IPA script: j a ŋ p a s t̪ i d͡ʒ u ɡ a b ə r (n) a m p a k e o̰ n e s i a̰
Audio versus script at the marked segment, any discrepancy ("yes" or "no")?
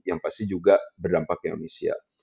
yes